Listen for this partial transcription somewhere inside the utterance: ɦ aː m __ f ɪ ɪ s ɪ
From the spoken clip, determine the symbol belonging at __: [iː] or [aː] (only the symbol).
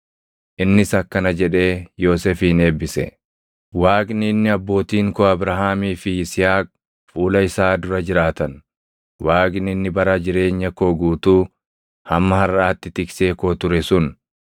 iː